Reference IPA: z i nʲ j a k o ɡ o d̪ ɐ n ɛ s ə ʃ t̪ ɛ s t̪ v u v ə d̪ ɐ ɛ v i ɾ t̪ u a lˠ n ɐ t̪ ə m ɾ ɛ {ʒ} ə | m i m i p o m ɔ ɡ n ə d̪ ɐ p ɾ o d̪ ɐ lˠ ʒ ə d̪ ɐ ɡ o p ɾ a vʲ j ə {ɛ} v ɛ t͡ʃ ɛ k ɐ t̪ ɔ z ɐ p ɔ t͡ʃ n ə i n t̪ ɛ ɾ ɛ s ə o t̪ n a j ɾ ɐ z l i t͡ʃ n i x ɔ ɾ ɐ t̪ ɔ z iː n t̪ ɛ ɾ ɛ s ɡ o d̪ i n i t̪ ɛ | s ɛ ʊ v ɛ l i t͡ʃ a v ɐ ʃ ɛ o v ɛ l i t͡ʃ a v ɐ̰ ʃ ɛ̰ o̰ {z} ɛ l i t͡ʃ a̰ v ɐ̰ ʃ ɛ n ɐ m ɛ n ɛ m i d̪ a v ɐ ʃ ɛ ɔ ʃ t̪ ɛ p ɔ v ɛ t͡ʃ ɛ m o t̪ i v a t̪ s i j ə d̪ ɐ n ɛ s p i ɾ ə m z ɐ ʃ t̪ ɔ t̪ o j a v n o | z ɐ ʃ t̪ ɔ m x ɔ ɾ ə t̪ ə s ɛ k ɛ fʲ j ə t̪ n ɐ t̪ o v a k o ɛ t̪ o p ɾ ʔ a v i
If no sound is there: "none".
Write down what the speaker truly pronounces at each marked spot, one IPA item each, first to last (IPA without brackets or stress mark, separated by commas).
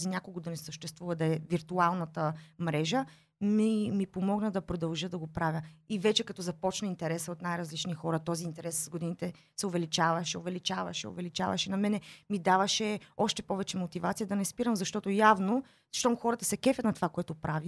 ʒ, i, v